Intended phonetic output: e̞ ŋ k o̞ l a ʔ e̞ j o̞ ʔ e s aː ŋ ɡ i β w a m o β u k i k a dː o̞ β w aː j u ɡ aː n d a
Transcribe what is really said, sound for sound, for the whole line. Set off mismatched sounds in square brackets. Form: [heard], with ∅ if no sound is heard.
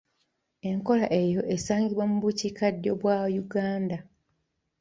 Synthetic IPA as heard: e̞ ŋ k o̞ l a ʔ e̞ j o̞ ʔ e s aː ŋ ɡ i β w a m [u] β u [c] i k a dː o̞ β w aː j u ɡ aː n d a